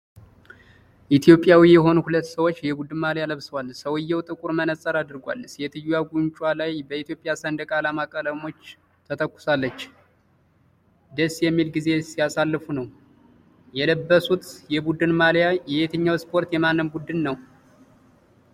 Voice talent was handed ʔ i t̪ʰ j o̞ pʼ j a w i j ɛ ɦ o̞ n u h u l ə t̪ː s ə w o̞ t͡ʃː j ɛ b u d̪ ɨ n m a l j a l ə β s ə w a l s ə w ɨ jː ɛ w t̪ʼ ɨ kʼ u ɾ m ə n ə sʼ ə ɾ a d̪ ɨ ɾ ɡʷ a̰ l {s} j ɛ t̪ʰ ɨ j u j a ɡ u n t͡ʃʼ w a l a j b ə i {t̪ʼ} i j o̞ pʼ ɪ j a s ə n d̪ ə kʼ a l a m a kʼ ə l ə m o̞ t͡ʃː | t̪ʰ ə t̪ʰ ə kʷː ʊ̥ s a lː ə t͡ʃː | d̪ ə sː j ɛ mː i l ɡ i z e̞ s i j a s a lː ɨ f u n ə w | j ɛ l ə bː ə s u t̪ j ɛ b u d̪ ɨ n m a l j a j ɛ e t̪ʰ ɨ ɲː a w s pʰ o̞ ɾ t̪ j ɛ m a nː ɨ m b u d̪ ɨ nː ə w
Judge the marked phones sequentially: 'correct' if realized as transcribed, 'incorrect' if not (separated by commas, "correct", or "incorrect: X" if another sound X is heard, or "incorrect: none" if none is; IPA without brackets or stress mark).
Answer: correct, incorrect: t̪